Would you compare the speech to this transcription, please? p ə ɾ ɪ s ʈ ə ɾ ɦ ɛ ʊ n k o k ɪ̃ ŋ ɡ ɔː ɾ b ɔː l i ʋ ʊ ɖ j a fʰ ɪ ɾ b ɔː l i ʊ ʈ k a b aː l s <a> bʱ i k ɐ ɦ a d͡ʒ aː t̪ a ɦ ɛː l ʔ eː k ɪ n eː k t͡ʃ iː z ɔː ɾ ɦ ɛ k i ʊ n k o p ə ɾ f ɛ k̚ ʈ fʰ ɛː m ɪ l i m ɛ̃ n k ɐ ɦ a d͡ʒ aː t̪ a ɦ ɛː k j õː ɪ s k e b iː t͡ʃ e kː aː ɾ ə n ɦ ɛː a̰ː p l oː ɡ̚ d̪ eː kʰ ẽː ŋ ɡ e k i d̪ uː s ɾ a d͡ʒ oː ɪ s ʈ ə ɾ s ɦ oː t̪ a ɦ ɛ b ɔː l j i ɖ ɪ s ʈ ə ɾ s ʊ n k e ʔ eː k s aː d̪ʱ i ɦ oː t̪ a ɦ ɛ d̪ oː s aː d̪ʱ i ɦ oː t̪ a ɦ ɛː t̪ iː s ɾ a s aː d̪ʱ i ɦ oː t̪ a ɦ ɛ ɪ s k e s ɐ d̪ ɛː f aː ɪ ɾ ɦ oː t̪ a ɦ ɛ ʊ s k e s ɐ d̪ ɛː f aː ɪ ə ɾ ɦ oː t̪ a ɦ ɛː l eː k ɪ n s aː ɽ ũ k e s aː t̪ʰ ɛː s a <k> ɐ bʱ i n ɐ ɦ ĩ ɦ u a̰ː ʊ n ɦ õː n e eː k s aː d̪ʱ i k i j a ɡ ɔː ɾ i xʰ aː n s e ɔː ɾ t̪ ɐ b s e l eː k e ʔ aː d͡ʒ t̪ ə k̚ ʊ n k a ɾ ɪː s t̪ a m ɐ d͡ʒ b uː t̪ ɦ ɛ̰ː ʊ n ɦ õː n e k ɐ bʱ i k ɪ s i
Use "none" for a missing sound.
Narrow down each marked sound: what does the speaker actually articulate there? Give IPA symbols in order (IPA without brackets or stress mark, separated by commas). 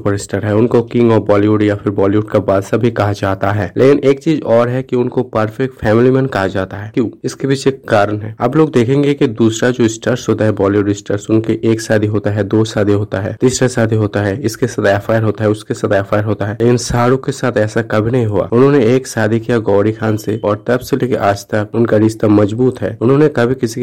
a, k